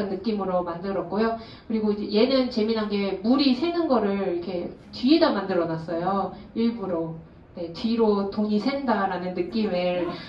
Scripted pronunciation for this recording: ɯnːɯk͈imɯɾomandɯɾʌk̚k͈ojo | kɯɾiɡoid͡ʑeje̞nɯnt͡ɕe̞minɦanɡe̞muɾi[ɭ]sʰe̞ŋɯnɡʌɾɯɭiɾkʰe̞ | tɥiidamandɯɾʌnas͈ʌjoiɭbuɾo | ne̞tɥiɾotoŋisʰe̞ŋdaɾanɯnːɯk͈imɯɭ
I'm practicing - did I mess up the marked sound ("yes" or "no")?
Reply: yes